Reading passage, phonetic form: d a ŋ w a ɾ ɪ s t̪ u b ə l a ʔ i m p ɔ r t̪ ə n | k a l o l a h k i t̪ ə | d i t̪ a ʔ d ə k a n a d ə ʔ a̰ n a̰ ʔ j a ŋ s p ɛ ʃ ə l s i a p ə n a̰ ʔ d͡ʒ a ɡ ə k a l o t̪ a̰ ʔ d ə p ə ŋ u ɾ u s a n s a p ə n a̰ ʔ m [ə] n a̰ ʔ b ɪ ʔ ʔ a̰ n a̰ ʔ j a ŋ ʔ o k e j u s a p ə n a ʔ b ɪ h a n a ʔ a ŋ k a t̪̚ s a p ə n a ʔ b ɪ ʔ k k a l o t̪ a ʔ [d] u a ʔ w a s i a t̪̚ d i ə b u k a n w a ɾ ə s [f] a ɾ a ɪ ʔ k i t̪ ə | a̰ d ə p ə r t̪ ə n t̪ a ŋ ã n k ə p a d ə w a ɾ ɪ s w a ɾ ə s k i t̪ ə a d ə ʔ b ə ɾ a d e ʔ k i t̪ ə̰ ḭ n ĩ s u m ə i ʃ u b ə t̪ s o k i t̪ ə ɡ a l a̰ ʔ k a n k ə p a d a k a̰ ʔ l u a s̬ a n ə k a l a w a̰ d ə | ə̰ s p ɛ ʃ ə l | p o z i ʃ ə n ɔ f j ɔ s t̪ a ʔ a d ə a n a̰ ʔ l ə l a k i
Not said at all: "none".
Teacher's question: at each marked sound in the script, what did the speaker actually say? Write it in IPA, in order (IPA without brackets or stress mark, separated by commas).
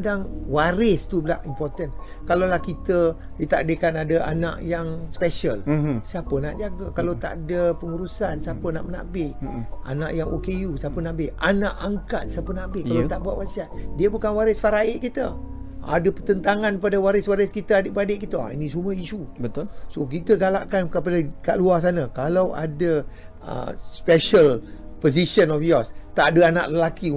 ə, b, f